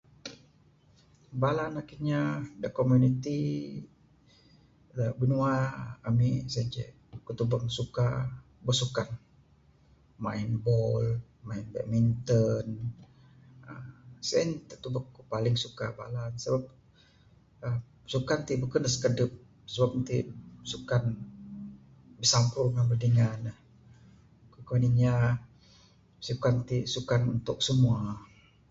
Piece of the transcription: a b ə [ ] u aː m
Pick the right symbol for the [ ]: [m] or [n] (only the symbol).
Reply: n